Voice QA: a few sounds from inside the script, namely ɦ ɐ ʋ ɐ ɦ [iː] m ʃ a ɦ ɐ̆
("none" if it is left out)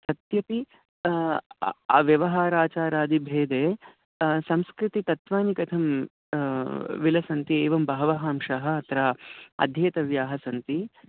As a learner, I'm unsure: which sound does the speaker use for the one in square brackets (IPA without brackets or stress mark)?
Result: aː